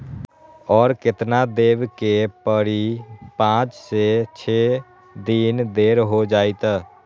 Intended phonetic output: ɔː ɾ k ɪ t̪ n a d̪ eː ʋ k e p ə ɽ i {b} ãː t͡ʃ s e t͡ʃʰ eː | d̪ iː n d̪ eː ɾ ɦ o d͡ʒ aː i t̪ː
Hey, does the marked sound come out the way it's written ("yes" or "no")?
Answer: no